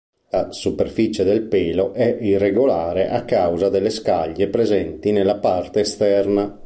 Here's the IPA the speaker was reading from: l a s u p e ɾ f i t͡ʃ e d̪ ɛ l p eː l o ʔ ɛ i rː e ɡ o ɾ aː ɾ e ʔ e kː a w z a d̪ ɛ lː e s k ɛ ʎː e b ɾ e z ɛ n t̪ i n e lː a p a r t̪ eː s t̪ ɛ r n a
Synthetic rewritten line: l a s u p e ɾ f i t͡ʃ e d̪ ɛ l p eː l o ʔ ɛ i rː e ɡ o l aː ɾ e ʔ a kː a w z a d̪ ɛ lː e s k a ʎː e p ɾ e z ɛ n t̪ i n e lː a p a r t̪ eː s t̪ ɛ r n a